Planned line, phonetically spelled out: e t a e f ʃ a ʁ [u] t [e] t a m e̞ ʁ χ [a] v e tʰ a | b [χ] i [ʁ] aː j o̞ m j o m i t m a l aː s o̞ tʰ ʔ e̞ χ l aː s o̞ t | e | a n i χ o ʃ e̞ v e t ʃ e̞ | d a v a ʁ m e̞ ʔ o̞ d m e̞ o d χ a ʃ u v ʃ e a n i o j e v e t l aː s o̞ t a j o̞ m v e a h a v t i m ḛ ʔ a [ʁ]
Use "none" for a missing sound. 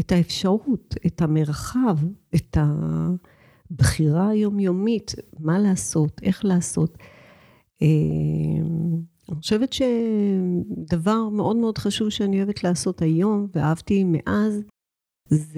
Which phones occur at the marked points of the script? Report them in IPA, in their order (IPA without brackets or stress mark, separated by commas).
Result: u, e, a, χ, ʁ, z